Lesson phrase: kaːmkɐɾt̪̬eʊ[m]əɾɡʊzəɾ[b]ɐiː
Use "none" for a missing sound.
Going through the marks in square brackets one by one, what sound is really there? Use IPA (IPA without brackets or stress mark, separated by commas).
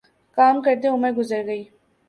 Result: m, ɡ